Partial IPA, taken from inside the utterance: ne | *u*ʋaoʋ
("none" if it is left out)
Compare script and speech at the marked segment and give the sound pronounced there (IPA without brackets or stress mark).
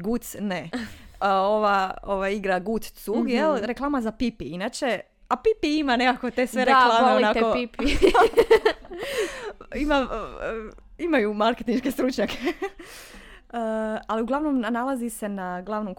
o